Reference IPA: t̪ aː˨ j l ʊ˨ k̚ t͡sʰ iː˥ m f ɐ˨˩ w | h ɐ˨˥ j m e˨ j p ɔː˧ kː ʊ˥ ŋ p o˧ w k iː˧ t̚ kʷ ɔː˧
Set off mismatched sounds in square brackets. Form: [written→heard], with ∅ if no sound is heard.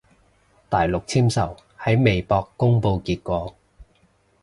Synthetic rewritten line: t̪ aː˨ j l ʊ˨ k̚ t͡sʰ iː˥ m [f→s] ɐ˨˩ w | h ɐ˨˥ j m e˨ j p ɔː˧ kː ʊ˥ ŋ p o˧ w k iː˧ t̚ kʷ ɔː˧